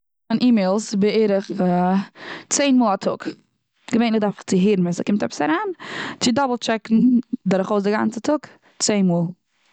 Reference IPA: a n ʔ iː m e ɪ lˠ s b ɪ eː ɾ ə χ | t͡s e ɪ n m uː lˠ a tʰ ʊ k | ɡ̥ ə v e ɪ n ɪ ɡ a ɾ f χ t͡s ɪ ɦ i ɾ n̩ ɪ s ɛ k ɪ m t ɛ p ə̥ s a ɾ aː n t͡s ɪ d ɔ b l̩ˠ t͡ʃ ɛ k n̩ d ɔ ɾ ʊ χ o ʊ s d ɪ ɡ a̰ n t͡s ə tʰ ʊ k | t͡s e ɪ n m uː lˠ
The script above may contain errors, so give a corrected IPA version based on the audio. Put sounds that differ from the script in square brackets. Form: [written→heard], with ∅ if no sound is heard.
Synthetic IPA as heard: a n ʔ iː m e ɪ lˠ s b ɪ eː ɾ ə χ | t͡s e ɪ n m uː lˠ a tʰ ʊ k | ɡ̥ ə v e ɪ n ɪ [ɡ→d] a ɾ f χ t͡s ɪ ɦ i ɾ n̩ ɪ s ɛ k ɪ m t ɛ p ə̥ s a ɾ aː n t͡s ɪ d ɔ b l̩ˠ t͡ʃ ɛ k n̩ d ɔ ɾ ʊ χ o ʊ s d ɪ ɡ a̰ n t͡s ə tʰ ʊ k | t͡s e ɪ n m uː lˠ

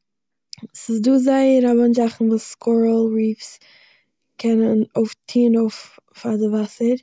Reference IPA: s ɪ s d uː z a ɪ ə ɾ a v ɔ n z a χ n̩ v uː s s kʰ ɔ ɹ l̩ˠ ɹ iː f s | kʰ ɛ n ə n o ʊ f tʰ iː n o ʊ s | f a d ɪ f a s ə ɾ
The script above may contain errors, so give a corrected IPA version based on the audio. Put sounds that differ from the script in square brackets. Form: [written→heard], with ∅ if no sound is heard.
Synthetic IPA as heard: s ɪ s d uː z a ɪ ə ɾ a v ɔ n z a χ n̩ v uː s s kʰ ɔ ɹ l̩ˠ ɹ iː f s | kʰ ɛ n ə n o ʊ f tʰ iː n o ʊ [s→f] | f a d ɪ [f→v] a s ə ɾ

